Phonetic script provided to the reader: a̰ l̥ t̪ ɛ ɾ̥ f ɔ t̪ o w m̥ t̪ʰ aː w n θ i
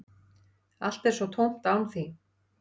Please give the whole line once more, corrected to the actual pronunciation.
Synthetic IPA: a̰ l̥ t̪ ɛ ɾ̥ s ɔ t̪ʰ o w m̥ t̪ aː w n θ i